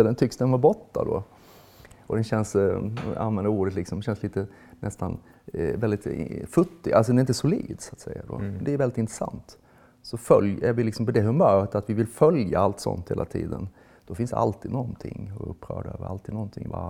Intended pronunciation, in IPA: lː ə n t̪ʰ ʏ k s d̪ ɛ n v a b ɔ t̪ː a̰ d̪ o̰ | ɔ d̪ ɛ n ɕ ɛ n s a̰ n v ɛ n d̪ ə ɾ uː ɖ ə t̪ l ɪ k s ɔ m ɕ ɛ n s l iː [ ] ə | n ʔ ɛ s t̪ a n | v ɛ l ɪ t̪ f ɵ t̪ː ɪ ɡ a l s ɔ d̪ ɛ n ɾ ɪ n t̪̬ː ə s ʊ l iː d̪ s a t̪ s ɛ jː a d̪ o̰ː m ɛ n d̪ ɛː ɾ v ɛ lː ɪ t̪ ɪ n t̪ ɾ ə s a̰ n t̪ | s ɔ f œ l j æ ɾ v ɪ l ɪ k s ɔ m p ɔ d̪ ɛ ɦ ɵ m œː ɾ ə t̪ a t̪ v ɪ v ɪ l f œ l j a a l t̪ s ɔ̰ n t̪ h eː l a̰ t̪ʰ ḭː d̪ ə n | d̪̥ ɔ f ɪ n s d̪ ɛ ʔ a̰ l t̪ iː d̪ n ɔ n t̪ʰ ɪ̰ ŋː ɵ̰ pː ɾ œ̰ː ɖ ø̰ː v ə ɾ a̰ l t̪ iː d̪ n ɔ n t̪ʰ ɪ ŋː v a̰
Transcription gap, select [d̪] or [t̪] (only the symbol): t̪